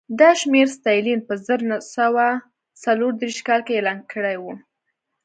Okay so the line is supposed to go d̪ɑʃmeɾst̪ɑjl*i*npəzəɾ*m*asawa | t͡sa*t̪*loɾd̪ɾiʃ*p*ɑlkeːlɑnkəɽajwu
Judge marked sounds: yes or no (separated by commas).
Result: yes, no, no, no